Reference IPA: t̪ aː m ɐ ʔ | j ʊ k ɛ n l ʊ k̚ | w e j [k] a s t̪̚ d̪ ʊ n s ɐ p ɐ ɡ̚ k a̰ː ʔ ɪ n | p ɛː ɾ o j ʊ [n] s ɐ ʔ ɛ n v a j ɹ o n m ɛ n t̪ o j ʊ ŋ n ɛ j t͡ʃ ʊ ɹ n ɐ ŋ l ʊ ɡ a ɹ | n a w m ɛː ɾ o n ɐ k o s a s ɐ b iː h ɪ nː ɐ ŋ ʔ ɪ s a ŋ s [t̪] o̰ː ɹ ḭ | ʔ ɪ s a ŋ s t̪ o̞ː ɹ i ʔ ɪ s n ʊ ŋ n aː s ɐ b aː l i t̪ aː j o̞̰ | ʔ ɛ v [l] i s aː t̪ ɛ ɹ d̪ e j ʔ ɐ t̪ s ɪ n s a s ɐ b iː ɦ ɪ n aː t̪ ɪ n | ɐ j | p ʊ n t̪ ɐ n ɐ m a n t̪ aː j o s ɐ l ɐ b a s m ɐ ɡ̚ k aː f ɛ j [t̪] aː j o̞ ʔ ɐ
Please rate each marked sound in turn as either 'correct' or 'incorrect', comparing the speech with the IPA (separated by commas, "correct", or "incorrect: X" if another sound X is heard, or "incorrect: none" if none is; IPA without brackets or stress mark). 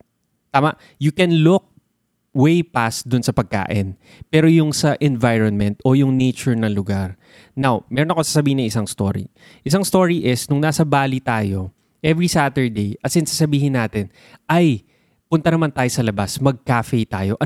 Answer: incorrect: p, incorrect: ŋ, correct, incorrect: ɹ, correct